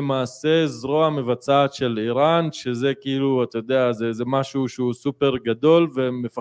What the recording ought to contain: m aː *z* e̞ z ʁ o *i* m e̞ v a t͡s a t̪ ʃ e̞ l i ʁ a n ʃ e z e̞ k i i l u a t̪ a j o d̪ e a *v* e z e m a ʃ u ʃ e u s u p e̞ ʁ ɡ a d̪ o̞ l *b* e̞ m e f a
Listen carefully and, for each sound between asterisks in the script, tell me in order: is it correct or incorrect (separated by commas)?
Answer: incorrect, incorrect, incorrect, incorrect